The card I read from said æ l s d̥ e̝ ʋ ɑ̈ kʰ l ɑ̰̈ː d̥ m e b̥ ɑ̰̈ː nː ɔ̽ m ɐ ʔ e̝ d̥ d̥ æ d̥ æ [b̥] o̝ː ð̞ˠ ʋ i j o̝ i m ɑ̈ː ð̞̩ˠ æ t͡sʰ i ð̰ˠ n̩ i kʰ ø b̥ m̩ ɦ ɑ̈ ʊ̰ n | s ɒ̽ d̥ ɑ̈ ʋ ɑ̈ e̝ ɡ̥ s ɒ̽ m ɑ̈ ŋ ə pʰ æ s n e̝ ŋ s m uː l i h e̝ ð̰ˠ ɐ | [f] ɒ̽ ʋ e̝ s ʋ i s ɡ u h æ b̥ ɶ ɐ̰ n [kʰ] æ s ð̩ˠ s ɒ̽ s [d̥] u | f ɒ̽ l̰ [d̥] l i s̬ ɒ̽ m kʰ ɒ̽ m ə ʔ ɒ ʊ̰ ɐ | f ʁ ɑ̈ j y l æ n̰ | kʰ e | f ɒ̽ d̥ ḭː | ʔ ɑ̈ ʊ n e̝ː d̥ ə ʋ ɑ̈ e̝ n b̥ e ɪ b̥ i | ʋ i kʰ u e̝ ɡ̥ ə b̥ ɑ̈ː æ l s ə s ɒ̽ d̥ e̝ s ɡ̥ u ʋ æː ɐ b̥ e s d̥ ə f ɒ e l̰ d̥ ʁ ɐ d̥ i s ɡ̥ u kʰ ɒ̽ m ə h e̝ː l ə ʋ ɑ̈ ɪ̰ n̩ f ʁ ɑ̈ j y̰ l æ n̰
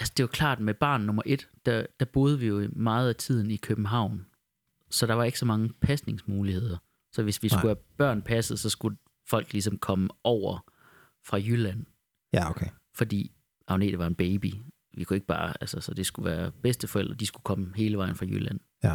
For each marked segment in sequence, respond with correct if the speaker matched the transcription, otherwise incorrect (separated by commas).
correct, incorrect, incorrect, incorrect, incorrect